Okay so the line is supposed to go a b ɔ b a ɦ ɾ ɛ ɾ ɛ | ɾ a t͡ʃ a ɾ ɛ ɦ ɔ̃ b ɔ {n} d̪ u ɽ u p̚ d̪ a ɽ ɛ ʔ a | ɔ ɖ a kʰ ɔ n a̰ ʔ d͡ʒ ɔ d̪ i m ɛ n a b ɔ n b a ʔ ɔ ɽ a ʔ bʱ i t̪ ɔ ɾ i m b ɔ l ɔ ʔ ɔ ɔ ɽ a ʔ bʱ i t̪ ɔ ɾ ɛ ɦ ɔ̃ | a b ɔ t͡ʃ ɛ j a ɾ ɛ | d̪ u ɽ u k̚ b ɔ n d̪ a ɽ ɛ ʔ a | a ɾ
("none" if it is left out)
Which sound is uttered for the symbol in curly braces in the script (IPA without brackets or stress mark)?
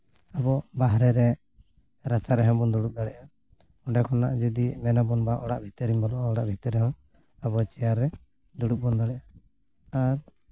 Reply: n